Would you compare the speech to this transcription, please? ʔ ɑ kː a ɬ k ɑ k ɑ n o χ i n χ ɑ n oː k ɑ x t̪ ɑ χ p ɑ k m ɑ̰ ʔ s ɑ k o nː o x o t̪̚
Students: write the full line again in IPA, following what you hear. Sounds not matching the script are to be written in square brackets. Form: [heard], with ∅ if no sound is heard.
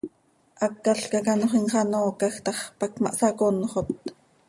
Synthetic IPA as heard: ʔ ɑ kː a ɬ k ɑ k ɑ n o χ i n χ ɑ n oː k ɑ x t̪ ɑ χ p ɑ k m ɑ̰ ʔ s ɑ k o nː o [χ] o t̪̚